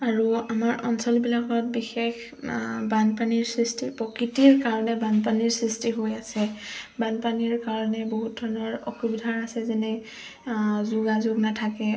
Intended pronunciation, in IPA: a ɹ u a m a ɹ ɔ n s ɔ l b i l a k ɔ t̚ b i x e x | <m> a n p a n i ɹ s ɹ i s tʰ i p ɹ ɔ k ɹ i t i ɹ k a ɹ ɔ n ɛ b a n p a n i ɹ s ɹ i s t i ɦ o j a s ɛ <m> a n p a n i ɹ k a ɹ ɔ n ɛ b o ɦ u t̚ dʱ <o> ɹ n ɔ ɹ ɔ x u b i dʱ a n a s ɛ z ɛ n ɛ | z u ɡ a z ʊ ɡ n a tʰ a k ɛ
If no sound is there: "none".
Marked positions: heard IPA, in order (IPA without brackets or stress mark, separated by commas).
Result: b, b, ɔ